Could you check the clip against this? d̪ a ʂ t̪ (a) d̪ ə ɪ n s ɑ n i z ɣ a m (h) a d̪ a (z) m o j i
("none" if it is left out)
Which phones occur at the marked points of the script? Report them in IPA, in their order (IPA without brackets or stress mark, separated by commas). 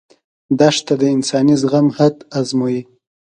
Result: a, h, z